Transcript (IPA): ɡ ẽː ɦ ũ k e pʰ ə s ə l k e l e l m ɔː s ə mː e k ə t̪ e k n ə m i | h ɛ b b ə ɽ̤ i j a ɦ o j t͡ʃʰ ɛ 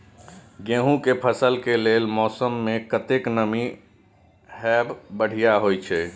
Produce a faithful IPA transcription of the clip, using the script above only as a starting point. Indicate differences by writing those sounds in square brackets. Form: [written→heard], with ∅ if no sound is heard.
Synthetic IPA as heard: ɡ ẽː ɦ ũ k e pʰ ə s ə l k e l e l m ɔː s ə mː e k ə t̪ e k n ə m i | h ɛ b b ə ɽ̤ i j a ɦ o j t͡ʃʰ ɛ